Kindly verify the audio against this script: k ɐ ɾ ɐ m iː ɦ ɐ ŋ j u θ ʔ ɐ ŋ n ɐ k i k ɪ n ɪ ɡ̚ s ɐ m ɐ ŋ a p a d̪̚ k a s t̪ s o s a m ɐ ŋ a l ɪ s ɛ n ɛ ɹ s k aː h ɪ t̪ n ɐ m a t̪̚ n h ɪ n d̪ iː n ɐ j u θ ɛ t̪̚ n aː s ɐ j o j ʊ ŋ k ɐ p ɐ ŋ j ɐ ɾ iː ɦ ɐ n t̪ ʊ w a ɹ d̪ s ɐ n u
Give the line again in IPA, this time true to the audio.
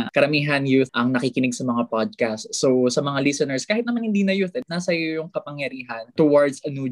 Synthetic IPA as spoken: k ɐ ɾ ɐ m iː ɦ ɐ n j u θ ʔ ɐ ŋ n ɐ k i k ɪ n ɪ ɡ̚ s ɐ m ɐ ŋ a p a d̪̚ k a s t̪ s o s ɐ m ɐ ŋ a l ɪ s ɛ n ɛ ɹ s k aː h ɪ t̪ n ɐ m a n h ɪ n d̪ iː n ɐ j u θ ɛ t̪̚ n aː s ɐ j o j ʊ ŋ k ɐ p ɐ ŋ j ɐ ɾ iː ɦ ɐ n t̪ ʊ w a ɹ d̪ s ɐ n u